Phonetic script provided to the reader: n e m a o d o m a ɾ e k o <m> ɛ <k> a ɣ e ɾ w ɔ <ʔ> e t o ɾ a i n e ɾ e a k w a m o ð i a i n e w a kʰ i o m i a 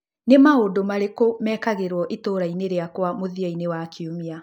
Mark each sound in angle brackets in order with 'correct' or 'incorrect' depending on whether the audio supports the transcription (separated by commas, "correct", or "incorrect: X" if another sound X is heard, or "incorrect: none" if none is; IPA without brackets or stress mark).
correct, correct, correct